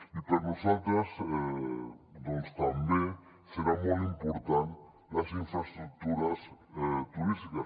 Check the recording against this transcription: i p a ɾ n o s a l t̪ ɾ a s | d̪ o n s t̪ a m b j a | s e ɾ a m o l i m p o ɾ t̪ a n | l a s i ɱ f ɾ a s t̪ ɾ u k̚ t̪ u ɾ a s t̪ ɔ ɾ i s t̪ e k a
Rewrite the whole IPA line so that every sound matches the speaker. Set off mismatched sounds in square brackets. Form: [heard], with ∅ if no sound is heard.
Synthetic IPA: i p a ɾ n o s a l t̪ ɾ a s | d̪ o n s t̪ a m b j [e] | s e ɾ a m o l i m p o ɾ t̪ a n | l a s i ɱ f ɾ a s t̪ ɾ u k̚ t̪ u ɾ a s t̪ [u] ɾ i s t̪ [i] k a